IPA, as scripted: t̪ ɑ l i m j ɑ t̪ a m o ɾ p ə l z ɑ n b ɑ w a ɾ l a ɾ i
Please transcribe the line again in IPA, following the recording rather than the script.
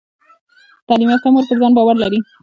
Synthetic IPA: t̪ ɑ l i m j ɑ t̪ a m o ɾ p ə ɾ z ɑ n b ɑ w a ɾ l a ɾ i